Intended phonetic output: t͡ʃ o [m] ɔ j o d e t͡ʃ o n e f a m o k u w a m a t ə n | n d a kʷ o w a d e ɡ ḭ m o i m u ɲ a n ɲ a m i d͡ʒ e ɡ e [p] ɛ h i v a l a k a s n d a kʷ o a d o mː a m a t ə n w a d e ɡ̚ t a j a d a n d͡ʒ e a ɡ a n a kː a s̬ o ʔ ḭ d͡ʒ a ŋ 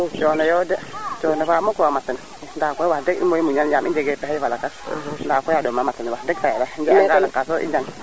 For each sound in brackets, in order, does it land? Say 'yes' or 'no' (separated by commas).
no, yes